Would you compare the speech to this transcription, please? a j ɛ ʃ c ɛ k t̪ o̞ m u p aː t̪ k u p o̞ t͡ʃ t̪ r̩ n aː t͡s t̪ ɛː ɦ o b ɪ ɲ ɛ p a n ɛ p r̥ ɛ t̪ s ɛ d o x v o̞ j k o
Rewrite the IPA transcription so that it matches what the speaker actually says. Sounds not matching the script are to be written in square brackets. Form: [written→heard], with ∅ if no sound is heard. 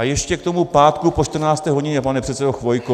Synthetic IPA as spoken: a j ɛ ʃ c ɛ k t̪ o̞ m u p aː t̪ k u p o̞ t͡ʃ t̪ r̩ n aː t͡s t̪ ɛː ɦ o [b→ɟ] ɪ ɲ ɛ p a n ɛ p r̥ ɛ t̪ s ɛ d o x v o̞ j k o